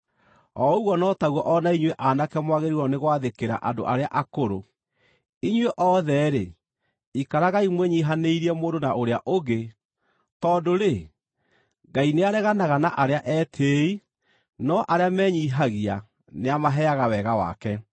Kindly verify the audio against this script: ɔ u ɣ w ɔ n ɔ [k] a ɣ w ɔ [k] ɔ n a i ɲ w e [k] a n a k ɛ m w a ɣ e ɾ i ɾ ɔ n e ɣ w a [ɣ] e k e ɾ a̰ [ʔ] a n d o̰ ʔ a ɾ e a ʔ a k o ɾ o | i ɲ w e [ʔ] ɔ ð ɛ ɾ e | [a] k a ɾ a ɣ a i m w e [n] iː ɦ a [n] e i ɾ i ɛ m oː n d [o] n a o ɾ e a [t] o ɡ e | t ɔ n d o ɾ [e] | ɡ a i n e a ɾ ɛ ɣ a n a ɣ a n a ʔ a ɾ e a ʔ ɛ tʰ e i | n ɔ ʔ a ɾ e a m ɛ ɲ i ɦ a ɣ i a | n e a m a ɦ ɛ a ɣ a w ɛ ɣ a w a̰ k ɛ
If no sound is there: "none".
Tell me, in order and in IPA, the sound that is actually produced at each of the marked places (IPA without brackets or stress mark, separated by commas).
t, ʔ, ʔ, ð, ʔ, ʔ, i, ɲ, n, o, ʔ, e